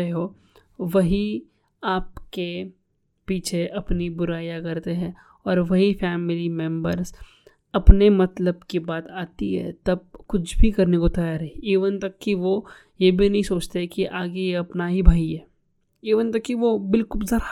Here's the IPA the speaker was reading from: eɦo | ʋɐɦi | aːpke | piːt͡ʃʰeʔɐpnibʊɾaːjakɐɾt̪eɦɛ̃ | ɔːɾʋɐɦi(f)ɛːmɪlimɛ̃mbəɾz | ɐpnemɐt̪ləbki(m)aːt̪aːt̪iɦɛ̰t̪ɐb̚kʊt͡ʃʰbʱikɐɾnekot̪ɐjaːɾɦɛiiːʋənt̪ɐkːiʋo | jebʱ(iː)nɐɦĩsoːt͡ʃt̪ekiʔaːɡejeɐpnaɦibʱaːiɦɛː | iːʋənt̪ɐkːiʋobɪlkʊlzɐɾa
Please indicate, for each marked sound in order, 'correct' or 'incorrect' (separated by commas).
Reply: correct, incorrect, incorrect